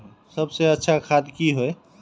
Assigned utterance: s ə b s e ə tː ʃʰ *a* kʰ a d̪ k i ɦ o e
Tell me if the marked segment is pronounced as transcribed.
yes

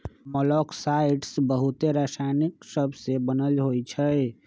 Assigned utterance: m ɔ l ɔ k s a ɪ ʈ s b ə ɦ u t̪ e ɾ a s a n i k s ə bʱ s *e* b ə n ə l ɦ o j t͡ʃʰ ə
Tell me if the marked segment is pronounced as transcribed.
yes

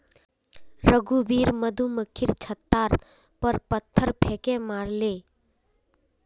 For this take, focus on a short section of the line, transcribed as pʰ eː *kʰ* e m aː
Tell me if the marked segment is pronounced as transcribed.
no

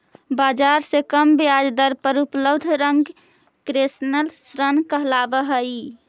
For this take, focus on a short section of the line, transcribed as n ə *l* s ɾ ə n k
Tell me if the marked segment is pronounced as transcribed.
yes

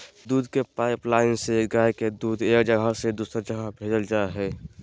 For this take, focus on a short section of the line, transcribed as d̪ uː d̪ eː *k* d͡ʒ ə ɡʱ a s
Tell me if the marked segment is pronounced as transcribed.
yes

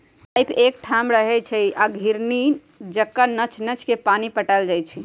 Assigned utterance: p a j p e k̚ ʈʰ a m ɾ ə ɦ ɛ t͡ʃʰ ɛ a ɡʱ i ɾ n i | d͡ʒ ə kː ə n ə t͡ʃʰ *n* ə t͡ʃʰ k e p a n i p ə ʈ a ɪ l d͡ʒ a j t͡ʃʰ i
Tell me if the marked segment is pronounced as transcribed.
yes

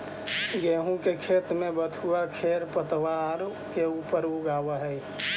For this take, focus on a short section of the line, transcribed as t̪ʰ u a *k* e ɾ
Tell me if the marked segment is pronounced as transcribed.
no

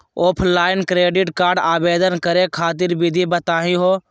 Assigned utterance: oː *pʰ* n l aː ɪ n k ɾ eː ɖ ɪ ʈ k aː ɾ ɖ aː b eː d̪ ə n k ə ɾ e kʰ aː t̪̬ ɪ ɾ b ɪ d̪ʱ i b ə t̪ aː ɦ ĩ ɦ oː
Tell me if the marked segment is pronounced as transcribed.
yes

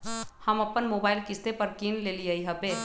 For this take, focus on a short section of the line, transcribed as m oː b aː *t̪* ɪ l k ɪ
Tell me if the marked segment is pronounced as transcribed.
no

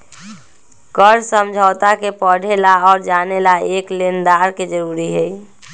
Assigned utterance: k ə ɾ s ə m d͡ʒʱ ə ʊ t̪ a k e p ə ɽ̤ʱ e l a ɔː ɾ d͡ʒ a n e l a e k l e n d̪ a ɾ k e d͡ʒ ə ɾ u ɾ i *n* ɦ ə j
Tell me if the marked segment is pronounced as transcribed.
no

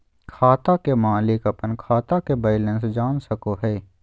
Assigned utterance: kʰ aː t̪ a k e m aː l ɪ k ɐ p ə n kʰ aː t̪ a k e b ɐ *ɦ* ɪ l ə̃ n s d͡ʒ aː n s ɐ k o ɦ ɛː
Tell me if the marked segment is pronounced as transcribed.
no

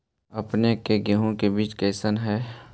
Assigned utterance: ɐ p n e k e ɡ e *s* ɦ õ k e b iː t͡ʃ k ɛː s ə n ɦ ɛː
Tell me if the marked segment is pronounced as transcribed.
no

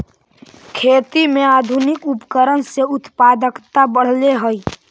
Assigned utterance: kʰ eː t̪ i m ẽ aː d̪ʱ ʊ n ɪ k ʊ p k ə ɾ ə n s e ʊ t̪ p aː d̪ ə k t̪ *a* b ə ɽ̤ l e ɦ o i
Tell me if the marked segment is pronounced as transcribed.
yes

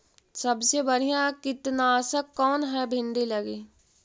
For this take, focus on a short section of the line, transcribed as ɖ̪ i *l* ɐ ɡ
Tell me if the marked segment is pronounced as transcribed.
yes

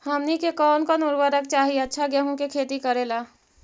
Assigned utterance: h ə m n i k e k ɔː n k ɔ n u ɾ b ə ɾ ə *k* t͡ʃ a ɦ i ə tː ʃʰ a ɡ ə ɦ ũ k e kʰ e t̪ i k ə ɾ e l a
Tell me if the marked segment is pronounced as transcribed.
yes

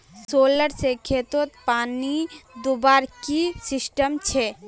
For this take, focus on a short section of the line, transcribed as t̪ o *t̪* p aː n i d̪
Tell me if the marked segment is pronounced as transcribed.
yes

